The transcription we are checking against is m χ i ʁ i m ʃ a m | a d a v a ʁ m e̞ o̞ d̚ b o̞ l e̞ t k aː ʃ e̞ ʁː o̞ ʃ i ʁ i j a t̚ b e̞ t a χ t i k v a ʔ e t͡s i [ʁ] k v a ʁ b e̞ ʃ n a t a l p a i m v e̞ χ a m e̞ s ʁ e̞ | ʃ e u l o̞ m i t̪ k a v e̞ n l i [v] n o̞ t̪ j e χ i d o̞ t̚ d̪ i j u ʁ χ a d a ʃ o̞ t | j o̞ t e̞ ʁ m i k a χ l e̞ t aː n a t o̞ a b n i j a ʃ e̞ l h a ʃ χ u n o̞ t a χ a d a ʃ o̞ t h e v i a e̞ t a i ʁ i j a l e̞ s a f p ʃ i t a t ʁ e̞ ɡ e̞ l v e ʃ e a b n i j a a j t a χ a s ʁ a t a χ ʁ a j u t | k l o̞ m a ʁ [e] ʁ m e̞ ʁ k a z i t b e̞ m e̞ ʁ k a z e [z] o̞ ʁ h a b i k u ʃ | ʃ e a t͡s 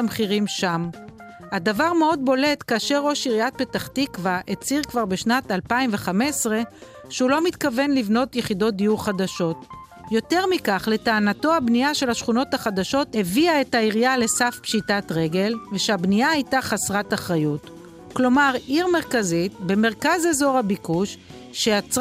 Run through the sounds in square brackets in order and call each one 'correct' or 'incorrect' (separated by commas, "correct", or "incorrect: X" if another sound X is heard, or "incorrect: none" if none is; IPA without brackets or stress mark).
correct, correct, incorrect: i, correct